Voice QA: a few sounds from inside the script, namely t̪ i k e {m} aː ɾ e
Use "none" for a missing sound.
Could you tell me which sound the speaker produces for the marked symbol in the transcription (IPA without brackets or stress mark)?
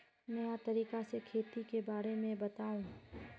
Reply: b